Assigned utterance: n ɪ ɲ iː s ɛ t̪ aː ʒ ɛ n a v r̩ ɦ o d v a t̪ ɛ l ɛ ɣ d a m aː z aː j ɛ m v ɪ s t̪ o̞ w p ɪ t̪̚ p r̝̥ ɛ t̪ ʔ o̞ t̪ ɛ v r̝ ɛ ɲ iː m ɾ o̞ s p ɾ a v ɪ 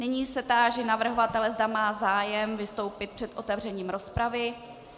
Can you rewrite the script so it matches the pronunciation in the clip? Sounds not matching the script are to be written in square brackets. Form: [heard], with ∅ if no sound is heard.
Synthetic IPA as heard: n ɪ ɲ iː s ɛ t̪ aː ʒ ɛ n a v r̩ ɦ o [∅] v a t̪ ɛ l ɛ [z] d a m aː z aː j ɛ m v ɪ s t̪ o̞ w p ɪ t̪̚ p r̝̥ ɛ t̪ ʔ o̞ t̪ ɛ v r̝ ɛ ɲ iː m ɾ o̞ s p ɾ a v ɪ